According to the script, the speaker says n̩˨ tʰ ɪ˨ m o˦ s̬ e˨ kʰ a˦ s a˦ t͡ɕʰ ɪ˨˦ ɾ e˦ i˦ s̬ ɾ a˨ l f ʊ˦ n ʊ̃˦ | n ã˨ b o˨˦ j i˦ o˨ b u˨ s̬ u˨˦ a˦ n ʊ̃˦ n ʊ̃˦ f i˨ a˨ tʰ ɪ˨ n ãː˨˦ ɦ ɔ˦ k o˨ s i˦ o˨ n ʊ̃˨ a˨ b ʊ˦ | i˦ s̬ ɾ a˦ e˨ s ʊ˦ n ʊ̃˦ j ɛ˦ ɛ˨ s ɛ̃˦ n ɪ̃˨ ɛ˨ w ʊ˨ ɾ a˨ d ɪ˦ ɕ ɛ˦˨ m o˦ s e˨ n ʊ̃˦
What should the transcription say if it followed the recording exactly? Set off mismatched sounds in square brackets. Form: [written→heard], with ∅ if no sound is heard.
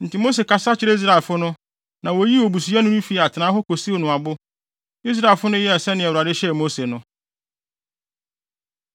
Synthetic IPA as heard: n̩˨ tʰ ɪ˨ m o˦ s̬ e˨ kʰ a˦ s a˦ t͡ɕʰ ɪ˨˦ ɾ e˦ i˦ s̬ ɾ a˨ l f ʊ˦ n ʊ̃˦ | n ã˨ [b→w] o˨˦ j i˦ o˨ b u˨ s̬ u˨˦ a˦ n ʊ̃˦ n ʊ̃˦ f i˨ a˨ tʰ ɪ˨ n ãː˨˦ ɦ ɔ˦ k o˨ s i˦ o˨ n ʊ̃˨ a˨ b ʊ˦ | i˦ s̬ ɾ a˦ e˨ [s→f] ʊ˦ n ʊ̃˦ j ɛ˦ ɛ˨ s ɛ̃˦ n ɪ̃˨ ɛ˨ w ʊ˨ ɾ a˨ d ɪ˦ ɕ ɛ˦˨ m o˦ s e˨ n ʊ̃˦